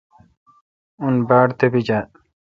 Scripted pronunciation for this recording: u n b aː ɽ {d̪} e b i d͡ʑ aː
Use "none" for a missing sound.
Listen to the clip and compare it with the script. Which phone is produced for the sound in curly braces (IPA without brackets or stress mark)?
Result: t̪